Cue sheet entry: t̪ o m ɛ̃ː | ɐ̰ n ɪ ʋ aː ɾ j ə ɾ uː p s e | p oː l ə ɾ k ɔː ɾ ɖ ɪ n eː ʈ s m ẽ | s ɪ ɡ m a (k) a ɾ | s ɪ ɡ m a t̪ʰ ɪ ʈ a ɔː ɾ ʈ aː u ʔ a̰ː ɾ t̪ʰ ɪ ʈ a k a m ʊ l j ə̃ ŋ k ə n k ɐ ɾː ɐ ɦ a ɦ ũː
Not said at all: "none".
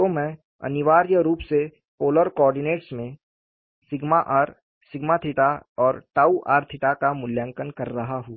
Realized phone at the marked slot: ʔ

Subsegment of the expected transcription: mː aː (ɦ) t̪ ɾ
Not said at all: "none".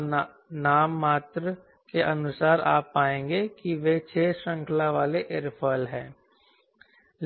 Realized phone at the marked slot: none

